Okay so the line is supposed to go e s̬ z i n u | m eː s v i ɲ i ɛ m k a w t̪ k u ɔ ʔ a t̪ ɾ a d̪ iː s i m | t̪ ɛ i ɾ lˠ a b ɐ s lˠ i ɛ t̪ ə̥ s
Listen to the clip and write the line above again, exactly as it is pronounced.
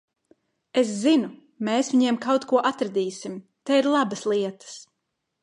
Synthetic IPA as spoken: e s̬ z i n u | m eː s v i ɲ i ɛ m k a w t̪ k u ɔ ʔ a t̪ ɾ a d̪ iː s i m | t̪ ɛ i ɾ lˠ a b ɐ s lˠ i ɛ t̪ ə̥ s